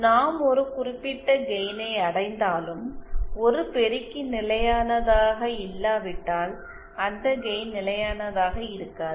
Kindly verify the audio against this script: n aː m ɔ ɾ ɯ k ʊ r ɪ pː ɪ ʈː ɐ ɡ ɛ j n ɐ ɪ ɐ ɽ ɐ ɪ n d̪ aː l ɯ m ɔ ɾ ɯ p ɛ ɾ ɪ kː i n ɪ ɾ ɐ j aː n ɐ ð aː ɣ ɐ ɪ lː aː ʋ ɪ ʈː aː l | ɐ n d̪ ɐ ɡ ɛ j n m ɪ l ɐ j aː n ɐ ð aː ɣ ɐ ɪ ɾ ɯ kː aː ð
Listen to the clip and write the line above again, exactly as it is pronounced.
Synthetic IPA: n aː m ɔ ɾ ɯ k ʊ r ɪ pː ɪ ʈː ɐ ɡ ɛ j n ɐ ɪ ɐ ɽ ɐ ɪ n d̪ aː l ɯ m ɔ ɾ ɯ p ɛ ɾ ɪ kː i n ɪ l ɐ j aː n ɐ ð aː ɣ ɐ ɪ lː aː ʋ ɪ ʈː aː l | ɐ n d̪ ɐ ɡ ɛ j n n ɪ l ɐ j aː n ɐ ð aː ɣ ɐ ɪ ɾ ɯ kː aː ð

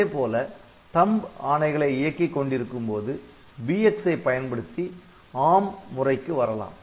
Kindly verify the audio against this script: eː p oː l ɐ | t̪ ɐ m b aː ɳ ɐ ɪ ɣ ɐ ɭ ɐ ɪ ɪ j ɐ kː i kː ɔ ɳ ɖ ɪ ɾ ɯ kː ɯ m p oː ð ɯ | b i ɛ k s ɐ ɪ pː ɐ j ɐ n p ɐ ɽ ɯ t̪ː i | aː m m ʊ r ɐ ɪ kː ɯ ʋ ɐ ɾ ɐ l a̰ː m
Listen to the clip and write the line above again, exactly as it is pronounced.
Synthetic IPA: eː p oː l ɐ | t̪ ɐ m b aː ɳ ɐ ɪ ɣ ɐ ɭ ɐ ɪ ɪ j ɐ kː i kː ɔ ɳ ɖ ɪ ɾ ɯ kː ɯ m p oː ð ɯ | b i ɛ k s ɐ ɪ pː ɐ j ɐ n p ɐ ɽ ɯ t̪ː i | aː m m ʊ r ɐ ɪ kː ɯ ʋ ɐ ɾ ɐ l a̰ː m

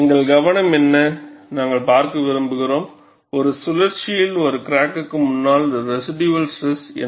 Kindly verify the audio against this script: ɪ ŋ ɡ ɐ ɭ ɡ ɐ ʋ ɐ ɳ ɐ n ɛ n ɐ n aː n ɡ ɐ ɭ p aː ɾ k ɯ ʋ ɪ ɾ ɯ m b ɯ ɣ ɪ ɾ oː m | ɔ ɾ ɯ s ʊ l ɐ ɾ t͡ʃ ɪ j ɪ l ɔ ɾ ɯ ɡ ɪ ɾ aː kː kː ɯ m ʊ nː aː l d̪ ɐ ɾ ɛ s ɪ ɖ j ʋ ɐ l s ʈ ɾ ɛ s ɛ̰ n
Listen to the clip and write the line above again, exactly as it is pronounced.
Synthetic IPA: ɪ ŋ ɡ ɐ ɭ ɡ ɐ ʋ ɐ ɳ ɐ m ɛ nː ɐ n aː ŋ ɡ ɐ ɭ p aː ɾ k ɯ ʋ ɪ ɾ ɯ m b ɯ ɣ ɪ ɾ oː m | ɔ ɾ ɯ s ʊ l ɐ ɾ t͡ʃ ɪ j ɪ l ɔ ɾ ɯ k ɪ ɾ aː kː kː ɯ m ʊ nː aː l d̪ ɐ ɾ ɛ s ɪ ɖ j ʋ ɐ l s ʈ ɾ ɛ s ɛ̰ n

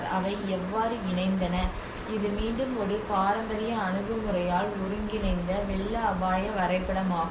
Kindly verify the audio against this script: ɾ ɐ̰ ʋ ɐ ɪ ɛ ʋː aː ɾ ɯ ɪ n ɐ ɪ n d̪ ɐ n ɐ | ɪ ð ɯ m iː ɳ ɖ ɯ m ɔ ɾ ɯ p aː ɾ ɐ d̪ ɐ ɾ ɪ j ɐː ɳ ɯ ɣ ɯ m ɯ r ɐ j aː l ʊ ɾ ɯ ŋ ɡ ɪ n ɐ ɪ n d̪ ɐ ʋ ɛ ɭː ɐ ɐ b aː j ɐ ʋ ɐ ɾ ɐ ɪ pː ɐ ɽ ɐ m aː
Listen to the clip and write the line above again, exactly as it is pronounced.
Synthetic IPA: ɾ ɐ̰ ʋ ɐ ɪ ɛ ʋː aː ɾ ɯ ɪ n ɐ ɪ n d̪ ɐ n ɐ | ɪ ð ɯ m iː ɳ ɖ ɯ m ɔ ɾ ɯ p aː ɾ ɐ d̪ ɐ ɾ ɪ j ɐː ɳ ɯ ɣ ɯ m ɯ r ɐ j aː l ʊ ɾ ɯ ŋ ɡ ɪ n ɐ ɪ n d̪ ɐ ʋ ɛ ɭː ɐ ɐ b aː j ɐ ʋ ɐ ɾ ɐ ɪ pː ɐ ɽ ɐ m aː

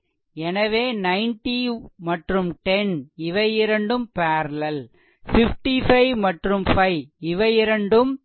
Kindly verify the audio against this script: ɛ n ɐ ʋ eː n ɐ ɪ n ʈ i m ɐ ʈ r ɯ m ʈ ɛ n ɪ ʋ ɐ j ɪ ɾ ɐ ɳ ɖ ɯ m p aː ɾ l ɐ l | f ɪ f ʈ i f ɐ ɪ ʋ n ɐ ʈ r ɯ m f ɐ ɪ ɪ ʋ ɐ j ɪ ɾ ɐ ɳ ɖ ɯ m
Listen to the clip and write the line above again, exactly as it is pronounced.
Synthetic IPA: ɛ n ɐ ʋ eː n ɐ ɪ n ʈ i m ɐ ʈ r ɯ m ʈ ɛ n ɪ ʋ ɐ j ɪ ɾ ɐ ɳ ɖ ɯ m p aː ɾ l ɐ l | f ɪ f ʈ i f ɐ ɪ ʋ m ɐ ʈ r ɯ m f ɐ ɪ ɪ ʋ ɐ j ɪ ɾ ɐ ɳ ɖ ɯ m

